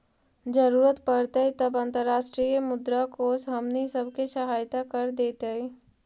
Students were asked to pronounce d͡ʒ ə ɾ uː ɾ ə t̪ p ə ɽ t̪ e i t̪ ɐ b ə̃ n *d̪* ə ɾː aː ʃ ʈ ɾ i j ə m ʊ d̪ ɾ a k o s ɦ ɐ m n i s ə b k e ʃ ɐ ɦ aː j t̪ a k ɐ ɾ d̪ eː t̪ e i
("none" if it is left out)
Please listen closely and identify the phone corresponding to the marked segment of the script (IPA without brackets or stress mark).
t̪